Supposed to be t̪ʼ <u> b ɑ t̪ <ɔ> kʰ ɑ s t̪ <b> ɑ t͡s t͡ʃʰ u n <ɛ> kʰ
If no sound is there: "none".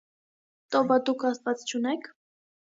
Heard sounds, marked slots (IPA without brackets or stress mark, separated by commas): ɔ, u, v, ɛ